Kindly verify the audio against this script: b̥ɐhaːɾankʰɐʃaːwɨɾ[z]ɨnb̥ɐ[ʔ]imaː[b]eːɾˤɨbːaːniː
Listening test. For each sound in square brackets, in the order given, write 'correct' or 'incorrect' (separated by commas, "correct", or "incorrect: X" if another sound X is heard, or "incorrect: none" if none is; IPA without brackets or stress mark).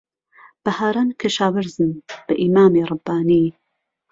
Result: correct, correct, incorrect: m